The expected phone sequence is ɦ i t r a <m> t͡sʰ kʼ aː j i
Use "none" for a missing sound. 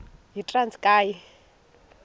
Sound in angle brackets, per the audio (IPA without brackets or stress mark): n